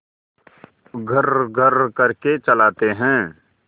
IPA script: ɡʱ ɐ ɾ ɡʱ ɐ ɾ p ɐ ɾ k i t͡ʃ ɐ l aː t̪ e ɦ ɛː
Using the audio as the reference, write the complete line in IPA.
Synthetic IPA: ɡʱ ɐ ɾ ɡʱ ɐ ɾ k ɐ ɾ k e t͡ʃ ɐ l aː t̪ e ɦ ɛ̃ː